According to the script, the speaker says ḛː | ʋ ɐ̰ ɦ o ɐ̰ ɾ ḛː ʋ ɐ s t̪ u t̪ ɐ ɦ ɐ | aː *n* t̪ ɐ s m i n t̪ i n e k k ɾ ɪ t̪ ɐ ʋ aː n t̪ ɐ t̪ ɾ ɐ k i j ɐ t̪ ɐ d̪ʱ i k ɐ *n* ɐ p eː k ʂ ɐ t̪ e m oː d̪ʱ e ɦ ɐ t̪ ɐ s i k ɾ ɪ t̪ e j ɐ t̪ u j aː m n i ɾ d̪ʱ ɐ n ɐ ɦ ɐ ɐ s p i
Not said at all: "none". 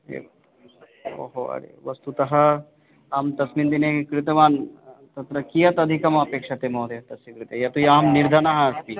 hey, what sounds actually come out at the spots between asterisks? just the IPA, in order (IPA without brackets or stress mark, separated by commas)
m, m